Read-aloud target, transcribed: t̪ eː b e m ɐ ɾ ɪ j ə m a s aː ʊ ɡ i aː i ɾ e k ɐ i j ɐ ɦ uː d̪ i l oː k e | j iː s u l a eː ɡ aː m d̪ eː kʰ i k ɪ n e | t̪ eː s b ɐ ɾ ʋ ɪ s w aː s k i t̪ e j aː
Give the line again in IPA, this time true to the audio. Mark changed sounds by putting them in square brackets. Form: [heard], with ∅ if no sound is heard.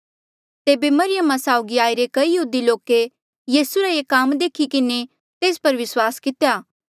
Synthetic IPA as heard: t̪ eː b e m ɐ ɾ ɪ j ə m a s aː ʊ ɡ i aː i ɾ e k ɐ i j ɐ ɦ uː d̪ i l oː k e | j iː s u [ɾ] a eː [k] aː m d̪ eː kʰ i k ɪ n e | t̪ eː s [p] ɐ ɾ ʋ ɪ s w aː s k [ɪ] t̪ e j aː

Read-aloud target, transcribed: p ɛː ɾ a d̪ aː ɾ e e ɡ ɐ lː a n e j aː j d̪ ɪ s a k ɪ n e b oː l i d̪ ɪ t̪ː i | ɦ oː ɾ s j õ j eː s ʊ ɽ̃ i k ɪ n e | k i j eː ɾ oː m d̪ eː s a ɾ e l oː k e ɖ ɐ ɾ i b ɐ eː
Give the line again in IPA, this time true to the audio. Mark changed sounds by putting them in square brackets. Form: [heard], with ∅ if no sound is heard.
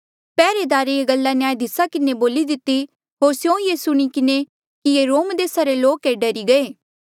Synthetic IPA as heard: p ɛː ɾ [e] d̪ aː ɾ e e ɡ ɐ lː a n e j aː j d̪ ɪ s a k ɪ n e b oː l i d̪ ɪ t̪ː i | ɦ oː ɾ s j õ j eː s ʊ ɽ̃ i k ɪ n e | k i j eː ɾ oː m d̪ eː s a ɾ e l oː k e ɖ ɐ ɾ i [ɡ] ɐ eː

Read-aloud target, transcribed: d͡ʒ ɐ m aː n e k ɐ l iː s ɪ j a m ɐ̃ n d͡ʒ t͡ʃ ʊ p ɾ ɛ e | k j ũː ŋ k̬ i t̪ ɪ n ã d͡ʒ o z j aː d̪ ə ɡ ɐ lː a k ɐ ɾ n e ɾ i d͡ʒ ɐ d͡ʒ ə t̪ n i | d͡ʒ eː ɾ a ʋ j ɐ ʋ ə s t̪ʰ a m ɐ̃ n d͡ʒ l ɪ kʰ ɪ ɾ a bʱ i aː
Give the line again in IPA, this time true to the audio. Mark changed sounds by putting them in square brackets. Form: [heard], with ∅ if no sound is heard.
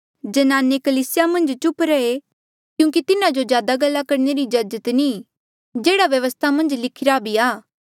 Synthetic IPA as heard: d͡ʒ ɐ [n] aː n e k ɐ l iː s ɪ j a m ɐ̃ n d͡ʒ t͡ʃ ʊ p ɾ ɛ e | k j ũː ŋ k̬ i t̪ ɪ n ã d͡ʒ o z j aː d̪ [a] ɡ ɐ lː a k ɐ ɾ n e ɾ i d͡ʒ ɐ d͡ʒ ə t̪ n i | d͡ʒ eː [ɽ] a ʋ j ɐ ʋ ə s t̪ʰ a m ɐ̃ n d͡ʒ l ɪ kʰ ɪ ɾ a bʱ i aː

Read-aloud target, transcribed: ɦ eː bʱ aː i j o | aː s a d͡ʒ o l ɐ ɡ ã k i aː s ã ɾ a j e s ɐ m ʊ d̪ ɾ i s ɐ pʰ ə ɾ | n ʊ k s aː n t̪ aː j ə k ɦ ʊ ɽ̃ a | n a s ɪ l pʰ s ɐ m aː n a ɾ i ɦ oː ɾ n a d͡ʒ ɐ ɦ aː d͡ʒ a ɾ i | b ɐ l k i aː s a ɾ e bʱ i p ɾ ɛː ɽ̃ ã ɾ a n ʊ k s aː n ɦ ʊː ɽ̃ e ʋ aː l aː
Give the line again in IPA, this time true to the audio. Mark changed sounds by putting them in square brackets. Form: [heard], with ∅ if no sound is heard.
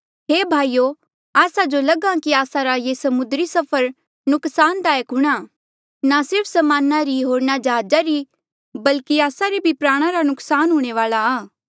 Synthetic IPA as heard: ɦ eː bʱ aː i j o | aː s a d͡ʒ o l ɐ ɡ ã k i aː s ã ɾ a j e s ɐ m ʊ d̪ ɾ i s ɐ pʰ ə ɾ | n ʊ k s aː n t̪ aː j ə k ɦ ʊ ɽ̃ a | n a s ɪ [ɾ] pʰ s ɐ m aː n a ɾ i ɦ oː ɾ n a d͡ʒ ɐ ɦ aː d͡ʒ a ɾ i | b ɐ l k i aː s a ɾ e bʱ i p ɾ [aː] ɽ̃ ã ɾ a n ʊ k s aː n ɦ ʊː ɽ̃ e ʋ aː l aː

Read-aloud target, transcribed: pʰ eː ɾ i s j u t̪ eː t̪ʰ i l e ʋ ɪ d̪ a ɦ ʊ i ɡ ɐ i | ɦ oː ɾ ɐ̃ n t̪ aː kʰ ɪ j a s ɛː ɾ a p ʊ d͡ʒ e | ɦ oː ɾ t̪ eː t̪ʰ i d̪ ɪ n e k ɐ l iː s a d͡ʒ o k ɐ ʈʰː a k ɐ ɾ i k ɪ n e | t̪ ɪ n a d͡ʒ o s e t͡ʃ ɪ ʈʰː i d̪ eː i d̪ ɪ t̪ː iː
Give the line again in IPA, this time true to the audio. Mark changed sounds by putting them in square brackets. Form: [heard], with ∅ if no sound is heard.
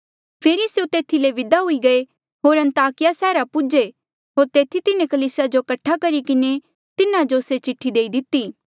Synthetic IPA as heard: pʰ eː ɾ i s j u t̪ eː t̪ʰ i l e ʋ ɪ d̪ a ɦ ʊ i ɡ ɐ [e] | ɦ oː ɾ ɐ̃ n t̪ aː [k] ɪ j a s ɛː ɾ a p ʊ d͡ʒ e | ɦ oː ɾ t̪ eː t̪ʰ i [t̪] ɪ n e k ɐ l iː s a d͡ʒ o k ɐ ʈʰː a k ɐ ɾ i k ɪ n e | t̪ ɪ n a d͡ʒ o s e t͡ʃ ɪ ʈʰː i d̪ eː i d̪ ɪ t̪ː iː

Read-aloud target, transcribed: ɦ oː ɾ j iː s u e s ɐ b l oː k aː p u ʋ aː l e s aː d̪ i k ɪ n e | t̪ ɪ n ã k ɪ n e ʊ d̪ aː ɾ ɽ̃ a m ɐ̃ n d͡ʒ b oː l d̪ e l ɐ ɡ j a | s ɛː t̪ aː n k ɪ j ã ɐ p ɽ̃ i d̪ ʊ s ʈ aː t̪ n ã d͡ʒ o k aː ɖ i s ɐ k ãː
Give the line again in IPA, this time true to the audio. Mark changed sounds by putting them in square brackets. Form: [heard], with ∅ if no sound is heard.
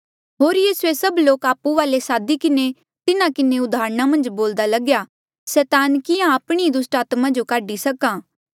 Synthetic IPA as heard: ɦ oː ɾ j iː s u e s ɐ b l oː k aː p u ʋ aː l e s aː d̪ i k ɪ n e | t̪ ɪ n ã k ɪ n e ʊ d̪ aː ɾ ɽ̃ a m ɐ̃ n d͡ʒ b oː l d̪ [a] l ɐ ɡ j a | s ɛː t̪ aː n k ɪ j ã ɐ p ɽ̃ i d̪ ʊ s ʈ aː t̪ [m] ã d͡ʒ o k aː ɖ i s ɐ k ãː

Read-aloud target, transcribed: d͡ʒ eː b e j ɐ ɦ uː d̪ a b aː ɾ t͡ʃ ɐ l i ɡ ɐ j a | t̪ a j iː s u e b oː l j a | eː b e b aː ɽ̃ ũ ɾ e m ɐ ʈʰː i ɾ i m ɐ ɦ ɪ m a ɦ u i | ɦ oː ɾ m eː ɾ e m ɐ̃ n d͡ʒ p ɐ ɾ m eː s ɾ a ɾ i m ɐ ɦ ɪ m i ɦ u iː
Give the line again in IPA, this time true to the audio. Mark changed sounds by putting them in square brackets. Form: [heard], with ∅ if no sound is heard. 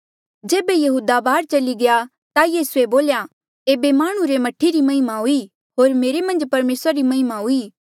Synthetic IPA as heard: d͡ʒ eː b e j ɐ ɦ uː d̪ a b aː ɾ t͡ʃ ɐ l i ɡ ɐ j a | t̪ a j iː s u e b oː l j a | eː b e [m] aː ɽ̃ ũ ɾ e m ɐ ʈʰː i ɾ i m ɐ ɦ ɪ m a ɦ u i | ɦ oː ɾ m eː ɾ e m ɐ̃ n d͡ʒ p ɐ ɾ m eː s ɾ a ɾ i m ɐ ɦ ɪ m [a] ɦ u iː

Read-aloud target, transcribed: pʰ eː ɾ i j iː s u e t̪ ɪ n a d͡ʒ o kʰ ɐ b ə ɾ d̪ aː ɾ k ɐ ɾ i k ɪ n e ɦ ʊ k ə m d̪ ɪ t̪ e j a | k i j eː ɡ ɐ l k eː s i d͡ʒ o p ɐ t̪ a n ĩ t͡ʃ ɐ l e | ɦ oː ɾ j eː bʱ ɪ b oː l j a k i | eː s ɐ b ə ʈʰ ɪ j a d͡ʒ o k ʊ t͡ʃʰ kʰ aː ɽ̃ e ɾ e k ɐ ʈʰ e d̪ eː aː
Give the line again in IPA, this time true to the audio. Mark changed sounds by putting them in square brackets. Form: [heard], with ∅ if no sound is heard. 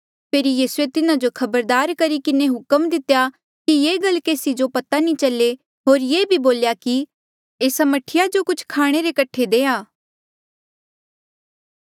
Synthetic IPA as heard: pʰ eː ɾ i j iː s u e t̪ ɪ n a d͡ʒ o kʰ ɐ b ə ɾ d̪ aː ɾ k ɐ ɾ i k ɪ n e ɦ ʊ k ə m d̪ ɪ t̪ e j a | k i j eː ɡ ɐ l k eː s i d͡ʒ o p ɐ t̪ a n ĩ t͡ʃ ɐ l e | ɦ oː ɾ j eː bʱ [i] b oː l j a k i | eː s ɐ [m] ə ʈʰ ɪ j a d͡ʒ o k ʊ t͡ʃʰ kʰ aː ɽ̃ e ɾ e k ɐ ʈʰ e d̪ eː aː

